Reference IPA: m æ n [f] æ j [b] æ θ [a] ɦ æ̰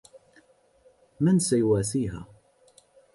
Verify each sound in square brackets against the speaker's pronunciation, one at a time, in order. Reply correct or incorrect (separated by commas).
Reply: incorrect, incorrect, incorrect